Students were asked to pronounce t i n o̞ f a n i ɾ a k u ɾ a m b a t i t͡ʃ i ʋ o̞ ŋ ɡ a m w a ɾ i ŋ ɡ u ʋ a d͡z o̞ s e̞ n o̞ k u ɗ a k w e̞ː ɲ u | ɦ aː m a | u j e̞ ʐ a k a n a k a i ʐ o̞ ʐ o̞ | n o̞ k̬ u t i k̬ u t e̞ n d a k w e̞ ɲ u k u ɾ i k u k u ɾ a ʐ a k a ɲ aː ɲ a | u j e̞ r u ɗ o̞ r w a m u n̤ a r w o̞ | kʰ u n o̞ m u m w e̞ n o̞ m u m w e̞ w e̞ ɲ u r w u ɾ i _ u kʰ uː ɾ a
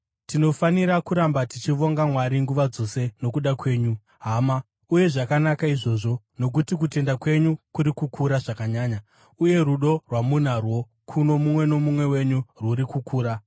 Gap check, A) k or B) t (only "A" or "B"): A